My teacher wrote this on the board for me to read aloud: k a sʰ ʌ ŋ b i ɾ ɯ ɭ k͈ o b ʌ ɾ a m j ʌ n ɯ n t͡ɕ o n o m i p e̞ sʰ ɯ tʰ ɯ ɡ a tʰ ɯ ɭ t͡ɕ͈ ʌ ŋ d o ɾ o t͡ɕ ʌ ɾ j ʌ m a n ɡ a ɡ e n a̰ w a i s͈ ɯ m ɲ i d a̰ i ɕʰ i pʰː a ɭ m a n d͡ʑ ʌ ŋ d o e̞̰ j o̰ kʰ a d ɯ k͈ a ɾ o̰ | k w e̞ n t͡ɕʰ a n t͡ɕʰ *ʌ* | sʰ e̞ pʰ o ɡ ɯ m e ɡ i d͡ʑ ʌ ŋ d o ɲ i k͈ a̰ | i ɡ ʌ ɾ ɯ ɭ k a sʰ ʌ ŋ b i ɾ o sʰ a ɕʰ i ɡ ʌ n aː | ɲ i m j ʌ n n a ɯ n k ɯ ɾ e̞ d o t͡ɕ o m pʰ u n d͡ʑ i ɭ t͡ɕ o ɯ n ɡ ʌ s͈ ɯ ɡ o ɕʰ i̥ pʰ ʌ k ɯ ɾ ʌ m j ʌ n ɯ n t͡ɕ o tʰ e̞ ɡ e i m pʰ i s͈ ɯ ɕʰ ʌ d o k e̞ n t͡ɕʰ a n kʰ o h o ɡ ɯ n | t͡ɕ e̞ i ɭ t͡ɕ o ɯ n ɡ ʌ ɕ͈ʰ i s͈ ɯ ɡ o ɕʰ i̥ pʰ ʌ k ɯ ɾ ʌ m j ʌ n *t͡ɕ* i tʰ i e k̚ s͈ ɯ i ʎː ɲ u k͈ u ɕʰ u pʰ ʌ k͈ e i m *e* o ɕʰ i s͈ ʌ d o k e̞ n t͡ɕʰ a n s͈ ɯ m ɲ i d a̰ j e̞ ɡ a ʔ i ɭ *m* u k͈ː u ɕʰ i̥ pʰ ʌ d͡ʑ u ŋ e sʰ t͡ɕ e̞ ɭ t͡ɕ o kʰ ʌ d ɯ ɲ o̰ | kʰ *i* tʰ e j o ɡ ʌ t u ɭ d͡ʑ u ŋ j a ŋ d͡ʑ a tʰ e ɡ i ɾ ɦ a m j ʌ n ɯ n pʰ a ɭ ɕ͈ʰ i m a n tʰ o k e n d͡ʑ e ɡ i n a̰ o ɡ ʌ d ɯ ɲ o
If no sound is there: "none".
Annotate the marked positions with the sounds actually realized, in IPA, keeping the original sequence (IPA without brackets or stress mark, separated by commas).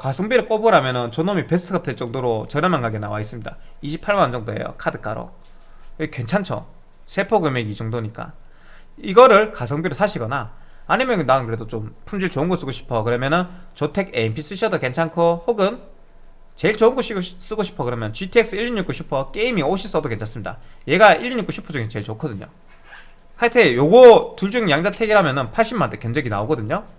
ʌ, t͡ɕ, i, ɲ, a